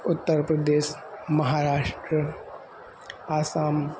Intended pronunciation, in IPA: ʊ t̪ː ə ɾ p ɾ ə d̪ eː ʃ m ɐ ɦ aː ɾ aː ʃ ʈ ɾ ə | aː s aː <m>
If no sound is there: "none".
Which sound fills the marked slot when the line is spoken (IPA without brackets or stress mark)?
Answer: m